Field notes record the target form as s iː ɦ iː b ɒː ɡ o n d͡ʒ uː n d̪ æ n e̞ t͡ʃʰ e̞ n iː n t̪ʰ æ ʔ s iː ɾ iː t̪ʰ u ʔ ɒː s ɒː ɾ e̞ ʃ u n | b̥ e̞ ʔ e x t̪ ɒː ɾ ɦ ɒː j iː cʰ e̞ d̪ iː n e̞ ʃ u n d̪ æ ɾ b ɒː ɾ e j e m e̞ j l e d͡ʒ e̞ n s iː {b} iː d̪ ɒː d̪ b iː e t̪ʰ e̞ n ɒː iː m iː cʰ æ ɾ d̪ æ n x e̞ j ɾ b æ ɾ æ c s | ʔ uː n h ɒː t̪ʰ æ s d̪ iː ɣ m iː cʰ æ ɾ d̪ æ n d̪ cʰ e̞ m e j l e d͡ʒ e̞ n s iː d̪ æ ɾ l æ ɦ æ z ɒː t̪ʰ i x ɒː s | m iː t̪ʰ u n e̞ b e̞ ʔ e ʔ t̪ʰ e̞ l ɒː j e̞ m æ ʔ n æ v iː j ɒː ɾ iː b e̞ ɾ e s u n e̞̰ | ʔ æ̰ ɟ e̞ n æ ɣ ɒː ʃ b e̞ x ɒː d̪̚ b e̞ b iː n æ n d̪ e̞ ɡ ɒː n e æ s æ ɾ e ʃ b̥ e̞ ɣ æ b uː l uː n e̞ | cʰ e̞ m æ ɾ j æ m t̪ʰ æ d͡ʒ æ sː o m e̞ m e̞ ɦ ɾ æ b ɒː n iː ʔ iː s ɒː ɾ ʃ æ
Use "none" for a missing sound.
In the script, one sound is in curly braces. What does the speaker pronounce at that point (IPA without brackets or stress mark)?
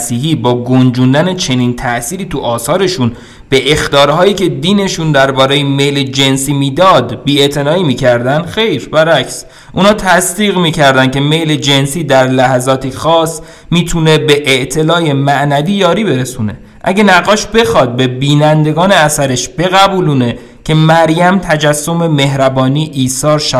m